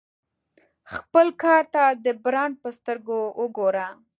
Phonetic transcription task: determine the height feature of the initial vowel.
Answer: mid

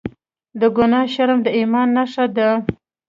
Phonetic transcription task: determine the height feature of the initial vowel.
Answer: mid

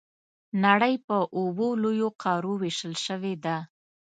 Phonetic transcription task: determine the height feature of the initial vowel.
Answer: low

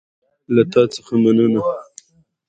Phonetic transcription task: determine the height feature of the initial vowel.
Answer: low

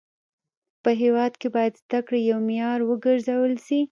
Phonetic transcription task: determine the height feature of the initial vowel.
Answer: mid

